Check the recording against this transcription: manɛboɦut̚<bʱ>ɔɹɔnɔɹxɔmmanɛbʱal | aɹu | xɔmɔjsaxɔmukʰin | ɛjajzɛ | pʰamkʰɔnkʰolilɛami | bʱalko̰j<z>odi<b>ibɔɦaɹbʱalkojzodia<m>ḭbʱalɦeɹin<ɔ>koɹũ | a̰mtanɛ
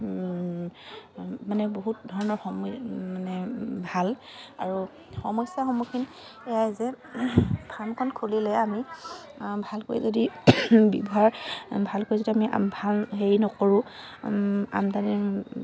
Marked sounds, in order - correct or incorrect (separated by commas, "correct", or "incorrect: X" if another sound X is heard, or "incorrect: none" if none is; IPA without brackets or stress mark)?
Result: incorrect: dʱ, correct, correct, correct, correct